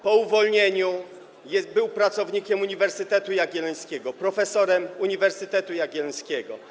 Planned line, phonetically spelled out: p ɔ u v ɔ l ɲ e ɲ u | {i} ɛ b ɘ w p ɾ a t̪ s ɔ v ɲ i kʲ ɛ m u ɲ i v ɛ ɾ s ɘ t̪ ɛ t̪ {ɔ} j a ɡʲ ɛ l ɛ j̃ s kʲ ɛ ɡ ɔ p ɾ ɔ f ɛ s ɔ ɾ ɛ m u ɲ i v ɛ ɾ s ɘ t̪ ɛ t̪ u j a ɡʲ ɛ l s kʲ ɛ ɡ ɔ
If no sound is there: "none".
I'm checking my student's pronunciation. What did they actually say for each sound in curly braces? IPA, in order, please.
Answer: j, u

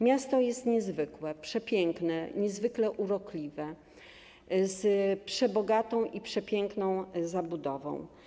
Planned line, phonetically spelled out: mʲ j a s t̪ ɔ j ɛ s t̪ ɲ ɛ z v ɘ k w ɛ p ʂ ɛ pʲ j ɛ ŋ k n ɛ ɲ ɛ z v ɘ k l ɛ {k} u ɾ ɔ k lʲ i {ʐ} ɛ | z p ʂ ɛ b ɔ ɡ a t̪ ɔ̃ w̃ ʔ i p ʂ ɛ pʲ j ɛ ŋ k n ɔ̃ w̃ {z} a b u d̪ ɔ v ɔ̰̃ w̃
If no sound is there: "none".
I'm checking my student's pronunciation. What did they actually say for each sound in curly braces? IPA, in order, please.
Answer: ʔ, v, z

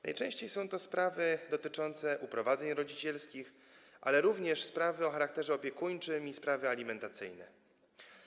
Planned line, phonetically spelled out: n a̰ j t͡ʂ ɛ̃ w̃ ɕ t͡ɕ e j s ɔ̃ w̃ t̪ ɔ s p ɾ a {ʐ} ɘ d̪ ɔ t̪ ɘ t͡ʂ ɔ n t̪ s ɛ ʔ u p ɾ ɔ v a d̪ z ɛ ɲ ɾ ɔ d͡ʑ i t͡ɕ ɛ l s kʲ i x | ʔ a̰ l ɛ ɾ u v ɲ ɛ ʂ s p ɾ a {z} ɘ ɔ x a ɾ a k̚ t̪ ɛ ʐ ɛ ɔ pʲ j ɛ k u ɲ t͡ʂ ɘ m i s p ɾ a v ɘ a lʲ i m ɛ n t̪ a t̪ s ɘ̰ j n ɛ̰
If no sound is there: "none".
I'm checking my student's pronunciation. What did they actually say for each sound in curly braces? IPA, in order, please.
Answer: v, v

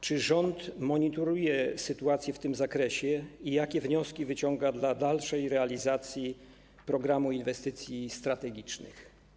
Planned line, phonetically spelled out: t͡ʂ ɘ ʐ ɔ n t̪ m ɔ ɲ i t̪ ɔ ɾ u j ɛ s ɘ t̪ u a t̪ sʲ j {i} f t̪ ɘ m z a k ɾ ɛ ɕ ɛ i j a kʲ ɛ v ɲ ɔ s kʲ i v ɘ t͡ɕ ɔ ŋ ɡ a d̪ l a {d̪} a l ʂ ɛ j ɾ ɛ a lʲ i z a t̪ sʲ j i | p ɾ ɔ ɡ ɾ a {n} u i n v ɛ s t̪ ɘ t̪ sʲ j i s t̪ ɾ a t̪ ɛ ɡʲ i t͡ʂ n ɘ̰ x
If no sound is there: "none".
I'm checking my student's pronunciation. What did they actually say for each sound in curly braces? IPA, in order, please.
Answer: ɛ, d̪, m

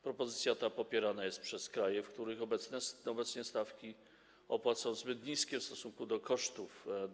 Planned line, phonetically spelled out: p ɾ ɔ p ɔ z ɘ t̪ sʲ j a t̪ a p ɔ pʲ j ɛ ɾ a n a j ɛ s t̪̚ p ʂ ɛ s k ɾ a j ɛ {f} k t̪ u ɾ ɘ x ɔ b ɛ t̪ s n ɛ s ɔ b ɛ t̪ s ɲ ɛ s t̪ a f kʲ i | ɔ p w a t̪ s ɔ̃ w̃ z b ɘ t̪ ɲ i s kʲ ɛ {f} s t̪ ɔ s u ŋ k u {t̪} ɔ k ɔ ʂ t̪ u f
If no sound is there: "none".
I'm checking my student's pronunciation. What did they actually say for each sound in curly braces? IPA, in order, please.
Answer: f, f, d̪

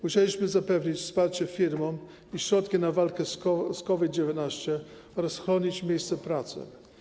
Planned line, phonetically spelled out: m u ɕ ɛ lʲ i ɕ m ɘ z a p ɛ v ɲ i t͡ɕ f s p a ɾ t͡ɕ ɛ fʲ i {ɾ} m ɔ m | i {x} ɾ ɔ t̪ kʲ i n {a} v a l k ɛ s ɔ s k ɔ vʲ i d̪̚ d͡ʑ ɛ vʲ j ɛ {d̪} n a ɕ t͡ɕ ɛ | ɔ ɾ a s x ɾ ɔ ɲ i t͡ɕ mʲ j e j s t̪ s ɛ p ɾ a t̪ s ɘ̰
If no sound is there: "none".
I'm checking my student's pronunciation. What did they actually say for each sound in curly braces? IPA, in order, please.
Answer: ɾ, ɕ, a, t̪

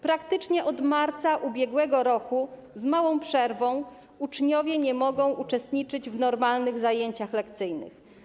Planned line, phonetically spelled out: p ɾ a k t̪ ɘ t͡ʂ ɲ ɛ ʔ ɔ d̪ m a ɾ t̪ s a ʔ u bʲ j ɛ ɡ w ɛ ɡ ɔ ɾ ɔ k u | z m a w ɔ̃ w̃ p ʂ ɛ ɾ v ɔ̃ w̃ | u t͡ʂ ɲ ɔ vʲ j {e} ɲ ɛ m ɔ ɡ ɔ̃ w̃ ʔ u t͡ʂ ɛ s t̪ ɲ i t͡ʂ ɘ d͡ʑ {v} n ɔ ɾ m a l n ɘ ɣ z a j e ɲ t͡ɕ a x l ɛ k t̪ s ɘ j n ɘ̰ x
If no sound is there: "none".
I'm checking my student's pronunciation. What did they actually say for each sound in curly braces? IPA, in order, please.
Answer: ɛ, v

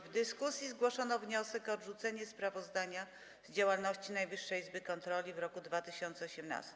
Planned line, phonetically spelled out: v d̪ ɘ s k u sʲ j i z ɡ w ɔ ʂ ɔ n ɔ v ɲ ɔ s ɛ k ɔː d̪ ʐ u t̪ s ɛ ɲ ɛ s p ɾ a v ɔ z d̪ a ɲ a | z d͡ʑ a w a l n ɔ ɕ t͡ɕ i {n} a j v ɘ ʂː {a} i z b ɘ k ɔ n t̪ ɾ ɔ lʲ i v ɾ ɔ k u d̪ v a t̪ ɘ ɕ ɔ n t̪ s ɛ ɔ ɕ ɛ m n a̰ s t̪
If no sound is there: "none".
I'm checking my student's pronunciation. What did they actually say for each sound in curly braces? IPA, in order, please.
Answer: n, ɛ

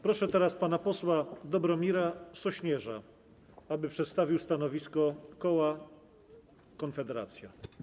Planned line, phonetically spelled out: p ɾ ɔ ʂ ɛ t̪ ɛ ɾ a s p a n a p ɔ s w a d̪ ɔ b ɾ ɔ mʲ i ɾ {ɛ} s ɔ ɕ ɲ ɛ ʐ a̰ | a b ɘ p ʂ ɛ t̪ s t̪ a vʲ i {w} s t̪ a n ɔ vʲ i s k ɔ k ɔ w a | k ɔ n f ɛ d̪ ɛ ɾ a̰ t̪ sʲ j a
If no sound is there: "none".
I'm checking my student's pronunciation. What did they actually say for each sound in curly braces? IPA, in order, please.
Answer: a, w

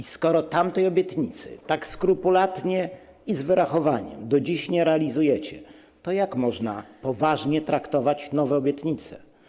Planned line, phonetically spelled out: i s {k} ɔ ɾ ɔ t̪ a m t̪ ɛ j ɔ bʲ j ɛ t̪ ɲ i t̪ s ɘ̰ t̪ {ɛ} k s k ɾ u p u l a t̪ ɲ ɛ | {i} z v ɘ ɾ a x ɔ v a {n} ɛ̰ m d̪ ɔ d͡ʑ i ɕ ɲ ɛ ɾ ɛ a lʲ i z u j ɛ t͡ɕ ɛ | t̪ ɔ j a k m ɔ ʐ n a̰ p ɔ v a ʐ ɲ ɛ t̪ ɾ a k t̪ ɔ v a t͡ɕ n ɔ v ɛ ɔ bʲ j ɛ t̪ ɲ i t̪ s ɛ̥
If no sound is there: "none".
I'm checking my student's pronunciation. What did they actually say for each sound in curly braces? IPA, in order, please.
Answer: k, a, i, ɲ

